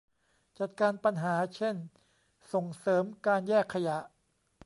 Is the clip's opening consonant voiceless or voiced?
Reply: voiceless